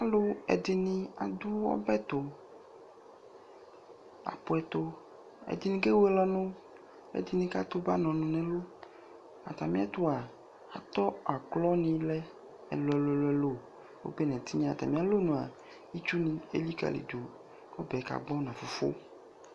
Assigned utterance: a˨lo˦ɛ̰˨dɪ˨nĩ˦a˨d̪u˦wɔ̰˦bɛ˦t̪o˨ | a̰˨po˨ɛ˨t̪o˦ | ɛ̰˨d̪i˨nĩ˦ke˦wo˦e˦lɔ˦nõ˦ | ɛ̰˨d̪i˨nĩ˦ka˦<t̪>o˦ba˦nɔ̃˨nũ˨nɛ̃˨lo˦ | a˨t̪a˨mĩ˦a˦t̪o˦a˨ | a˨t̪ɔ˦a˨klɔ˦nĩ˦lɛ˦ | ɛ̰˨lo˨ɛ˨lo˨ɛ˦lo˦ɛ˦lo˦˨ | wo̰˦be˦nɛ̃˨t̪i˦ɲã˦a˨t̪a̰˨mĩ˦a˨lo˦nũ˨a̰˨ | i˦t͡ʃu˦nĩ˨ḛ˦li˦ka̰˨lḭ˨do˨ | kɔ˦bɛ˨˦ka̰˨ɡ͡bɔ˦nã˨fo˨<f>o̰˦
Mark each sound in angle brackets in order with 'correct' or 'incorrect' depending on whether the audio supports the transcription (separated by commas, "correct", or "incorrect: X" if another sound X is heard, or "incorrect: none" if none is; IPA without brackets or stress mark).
correct, correct